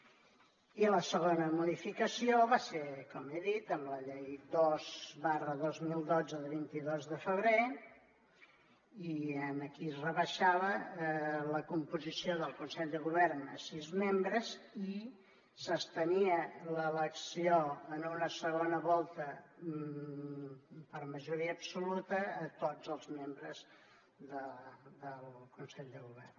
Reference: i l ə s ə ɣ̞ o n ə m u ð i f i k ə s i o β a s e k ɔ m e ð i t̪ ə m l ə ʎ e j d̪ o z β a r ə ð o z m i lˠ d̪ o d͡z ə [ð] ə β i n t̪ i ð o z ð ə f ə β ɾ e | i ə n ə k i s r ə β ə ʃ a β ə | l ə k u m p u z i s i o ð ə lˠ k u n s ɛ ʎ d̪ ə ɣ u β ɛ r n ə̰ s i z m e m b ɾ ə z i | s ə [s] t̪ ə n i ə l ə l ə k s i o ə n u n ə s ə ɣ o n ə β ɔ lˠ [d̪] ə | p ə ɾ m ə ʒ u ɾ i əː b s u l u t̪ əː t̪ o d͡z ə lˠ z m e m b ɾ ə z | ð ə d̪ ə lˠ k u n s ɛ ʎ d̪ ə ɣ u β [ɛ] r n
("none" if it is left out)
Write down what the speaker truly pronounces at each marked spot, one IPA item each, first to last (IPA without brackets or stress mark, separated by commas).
ð, s, t̪, ɛ